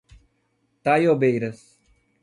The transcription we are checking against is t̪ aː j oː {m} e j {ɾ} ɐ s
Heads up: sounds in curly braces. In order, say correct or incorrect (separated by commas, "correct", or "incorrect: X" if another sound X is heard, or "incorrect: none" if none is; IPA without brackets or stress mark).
incorrect: b, correct